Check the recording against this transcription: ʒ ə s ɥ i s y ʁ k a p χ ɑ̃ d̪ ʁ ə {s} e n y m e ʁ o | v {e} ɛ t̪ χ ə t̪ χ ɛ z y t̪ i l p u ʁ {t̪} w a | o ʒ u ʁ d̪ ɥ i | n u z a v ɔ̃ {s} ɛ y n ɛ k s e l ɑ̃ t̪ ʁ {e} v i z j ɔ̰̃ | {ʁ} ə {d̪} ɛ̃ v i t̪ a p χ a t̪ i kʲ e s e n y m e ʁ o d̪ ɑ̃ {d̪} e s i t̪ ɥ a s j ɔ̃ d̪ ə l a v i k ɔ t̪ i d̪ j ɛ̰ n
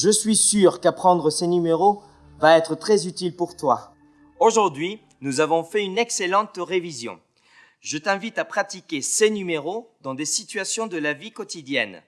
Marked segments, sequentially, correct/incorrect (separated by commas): correct, incorrect, correct, incorrect, correct, incorrect, incorrect, correct